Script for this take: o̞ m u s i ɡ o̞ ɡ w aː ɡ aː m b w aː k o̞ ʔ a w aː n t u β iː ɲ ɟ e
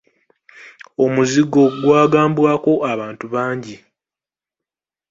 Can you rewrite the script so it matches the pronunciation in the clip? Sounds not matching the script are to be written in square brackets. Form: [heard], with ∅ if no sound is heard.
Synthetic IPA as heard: o̞ m u [z] i ɡ o̞ ɡ w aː ɡ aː m b w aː k o̞ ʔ a [β] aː n t u β [aː] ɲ ɟ [i]